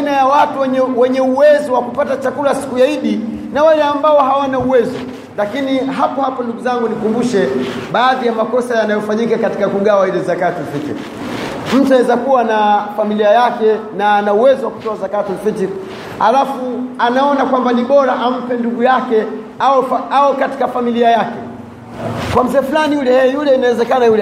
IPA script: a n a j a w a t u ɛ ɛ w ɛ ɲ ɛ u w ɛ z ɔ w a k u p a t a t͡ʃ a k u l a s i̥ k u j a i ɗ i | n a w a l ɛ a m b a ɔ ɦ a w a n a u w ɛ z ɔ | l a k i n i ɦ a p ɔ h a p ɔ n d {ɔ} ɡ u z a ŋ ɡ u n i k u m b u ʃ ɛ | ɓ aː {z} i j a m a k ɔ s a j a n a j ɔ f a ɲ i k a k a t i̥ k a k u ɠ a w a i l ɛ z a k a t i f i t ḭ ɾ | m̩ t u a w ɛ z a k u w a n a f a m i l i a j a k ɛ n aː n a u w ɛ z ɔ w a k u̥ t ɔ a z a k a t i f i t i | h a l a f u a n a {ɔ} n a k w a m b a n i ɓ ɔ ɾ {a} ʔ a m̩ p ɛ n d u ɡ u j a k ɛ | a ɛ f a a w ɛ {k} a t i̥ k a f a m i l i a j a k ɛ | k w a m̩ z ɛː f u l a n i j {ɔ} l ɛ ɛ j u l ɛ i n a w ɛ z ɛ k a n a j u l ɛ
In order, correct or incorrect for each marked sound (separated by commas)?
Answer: incorrect, incorrect, correct, correct, correct, incorrect